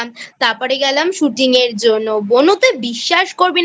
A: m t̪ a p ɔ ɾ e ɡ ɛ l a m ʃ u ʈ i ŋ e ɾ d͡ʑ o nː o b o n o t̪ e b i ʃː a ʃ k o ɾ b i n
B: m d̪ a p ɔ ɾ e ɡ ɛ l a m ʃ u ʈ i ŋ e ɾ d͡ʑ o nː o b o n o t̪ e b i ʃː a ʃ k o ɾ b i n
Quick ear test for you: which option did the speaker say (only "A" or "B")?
A